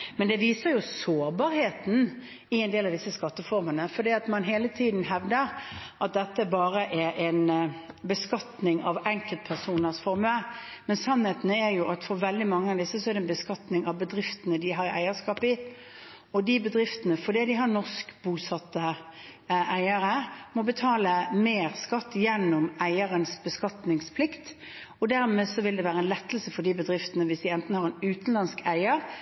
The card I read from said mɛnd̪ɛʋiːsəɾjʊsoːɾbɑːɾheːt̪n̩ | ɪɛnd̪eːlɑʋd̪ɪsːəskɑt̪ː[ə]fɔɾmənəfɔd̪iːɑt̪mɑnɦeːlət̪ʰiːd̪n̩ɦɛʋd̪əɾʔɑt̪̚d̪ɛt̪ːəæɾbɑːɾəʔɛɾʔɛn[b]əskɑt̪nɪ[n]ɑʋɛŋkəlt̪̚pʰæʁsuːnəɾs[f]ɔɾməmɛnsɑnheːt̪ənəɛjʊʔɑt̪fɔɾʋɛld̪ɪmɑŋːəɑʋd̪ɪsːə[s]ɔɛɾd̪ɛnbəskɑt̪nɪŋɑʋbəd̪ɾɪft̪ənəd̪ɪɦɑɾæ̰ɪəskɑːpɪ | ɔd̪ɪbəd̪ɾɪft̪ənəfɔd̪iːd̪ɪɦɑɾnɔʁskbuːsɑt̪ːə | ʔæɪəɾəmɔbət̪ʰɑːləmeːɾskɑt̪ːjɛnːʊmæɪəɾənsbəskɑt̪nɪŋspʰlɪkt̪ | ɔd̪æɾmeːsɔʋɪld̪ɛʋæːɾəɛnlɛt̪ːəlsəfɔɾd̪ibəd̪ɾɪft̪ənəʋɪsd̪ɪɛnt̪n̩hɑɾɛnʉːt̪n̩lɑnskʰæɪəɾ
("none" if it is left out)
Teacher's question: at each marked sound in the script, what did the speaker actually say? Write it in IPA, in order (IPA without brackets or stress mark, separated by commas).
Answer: ə, b, ŋ, f, s